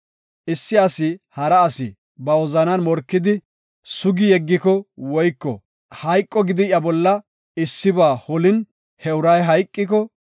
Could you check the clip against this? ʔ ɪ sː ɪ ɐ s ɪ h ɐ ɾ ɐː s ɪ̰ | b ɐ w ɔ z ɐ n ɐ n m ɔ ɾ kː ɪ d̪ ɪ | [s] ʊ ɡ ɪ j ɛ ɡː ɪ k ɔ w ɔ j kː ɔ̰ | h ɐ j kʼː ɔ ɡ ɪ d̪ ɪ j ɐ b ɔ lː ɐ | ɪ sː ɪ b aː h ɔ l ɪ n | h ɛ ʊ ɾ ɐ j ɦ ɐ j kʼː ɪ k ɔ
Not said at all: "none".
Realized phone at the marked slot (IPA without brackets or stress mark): s